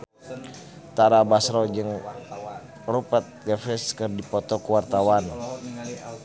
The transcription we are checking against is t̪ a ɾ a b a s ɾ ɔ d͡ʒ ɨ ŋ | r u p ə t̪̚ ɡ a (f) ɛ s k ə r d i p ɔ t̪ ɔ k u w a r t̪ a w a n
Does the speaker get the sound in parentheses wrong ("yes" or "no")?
no